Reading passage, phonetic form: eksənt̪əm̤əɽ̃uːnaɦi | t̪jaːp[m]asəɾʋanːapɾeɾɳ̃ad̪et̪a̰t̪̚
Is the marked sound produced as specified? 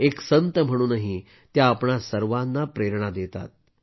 no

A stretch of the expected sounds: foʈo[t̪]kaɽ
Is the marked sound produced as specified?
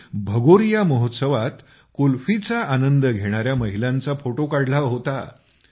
no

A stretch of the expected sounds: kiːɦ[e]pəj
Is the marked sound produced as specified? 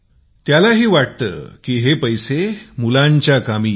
yes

